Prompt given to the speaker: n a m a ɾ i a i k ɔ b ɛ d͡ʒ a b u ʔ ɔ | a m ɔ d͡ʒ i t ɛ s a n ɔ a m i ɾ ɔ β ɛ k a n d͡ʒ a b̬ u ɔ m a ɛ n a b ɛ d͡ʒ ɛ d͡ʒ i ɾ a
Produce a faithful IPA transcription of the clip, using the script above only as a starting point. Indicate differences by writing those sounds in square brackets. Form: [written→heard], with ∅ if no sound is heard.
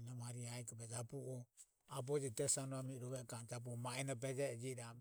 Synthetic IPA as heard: n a m a ɾ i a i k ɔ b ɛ d͡ʒ a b u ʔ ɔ | a [m→b] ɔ d͡ʒ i t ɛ s a n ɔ a m i ɾ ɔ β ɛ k a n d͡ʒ a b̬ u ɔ m a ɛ n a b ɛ d͡ʒ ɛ d͡ʒ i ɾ a